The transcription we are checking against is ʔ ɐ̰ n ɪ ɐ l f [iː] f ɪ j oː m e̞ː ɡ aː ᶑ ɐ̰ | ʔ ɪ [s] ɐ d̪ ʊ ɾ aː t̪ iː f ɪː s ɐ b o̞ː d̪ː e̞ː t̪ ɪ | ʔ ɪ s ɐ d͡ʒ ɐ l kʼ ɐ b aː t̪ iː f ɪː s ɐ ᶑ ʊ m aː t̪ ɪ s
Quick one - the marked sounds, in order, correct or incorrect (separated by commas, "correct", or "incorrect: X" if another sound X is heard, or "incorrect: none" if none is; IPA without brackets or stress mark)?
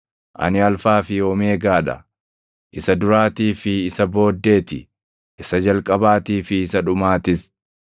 incorrect: aː, correct